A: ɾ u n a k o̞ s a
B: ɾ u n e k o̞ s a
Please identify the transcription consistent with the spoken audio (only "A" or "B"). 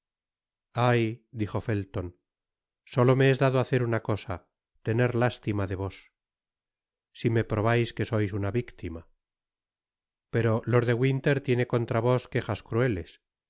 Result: A